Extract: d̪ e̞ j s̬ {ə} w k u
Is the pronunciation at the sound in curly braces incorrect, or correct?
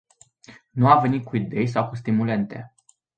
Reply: incorrect: a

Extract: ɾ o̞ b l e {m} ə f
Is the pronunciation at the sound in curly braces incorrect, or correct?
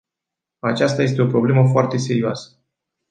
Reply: correct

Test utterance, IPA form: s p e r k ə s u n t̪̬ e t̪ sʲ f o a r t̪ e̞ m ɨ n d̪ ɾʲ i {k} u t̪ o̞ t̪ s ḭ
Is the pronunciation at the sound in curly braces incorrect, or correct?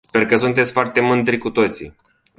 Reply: correct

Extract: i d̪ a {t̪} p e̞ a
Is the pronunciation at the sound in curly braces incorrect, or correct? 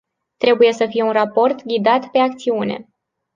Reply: correct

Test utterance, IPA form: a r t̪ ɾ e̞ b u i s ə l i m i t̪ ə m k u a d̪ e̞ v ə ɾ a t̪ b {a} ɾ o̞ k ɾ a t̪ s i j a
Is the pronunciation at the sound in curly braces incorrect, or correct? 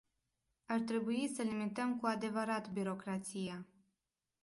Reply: incorrect: i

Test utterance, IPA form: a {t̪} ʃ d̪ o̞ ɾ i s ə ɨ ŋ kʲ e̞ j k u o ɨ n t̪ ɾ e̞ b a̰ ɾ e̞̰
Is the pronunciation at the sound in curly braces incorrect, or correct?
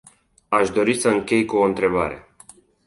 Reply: incorrect: none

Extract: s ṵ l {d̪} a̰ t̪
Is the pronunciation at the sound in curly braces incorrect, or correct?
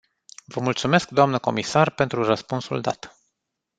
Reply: correct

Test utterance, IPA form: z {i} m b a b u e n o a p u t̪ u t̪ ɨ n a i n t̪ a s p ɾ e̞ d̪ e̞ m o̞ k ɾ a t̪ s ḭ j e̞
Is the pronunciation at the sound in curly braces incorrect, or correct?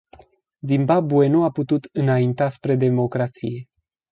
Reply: correct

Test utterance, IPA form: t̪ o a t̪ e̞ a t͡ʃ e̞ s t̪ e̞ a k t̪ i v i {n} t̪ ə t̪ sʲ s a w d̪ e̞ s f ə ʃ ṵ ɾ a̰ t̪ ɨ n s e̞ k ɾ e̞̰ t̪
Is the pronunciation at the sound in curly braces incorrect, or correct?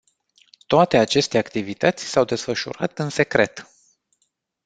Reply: incorrect: none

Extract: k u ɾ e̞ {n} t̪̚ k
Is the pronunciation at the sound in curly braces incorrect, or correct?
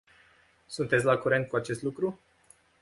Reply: correct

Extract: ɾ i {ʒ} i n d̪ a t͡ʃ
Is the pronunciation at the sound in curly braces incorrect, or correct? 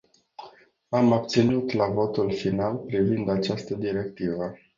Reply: incorrect: v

